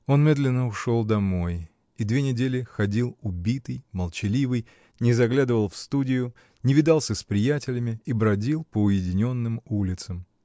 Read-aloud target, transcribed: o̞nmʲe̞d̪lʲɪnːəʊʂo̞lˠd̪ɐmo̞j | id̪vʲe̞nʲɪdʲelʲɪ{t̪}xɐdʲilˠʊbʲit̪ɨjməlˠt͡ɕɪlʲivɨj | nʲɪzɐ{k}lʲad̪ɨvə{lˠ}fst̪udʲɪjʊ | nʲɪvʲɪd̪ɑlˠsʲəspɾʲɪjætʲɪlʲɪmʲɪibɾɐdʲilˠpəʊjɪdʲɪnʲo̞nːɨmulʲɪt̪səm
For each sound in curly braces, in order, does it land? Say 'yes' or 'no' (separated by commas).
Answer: no, no, yes